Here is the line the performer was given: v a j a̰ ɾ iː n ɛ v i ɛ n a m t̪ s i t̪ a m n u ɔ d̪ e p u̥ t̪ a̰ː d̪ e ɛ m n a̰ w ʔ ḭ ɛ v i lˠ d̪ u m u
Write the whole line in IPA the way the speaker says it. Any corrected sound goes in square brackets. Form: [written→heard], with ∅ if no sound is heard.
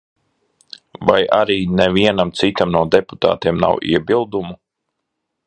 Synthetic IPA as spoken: v a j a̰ ɾ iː n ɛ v i ɛ n a m t̪ s i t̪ a m n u ɔ d̪ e p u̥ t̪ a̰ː [d̪→t̪] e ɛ m n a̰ w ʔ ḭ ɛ [v→b] i lˠ d̪ u m u